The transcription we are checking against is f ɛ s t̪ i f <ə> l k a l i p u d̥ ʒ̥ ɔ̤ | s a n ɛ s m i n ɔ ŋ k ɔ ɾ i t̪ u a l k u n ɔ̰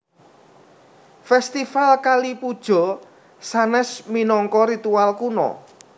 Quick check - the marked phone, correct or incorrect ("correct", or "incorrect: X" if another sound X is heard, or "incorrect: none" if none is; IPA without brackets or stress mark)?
incorrect: a